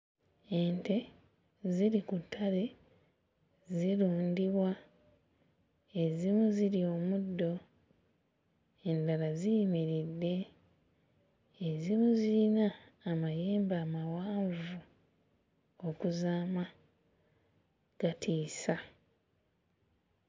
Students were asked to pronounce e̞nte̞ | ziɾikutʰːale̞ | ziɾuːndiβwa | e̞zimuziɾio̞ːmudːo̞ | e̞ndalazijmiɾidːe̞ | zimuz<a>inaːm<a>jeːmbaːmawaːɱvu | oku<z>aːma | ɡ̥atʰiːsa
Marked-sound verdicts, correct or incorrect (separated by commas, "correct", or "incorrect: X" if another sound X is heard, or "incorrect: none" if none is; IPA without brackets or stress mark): incorrect: i, correct, correct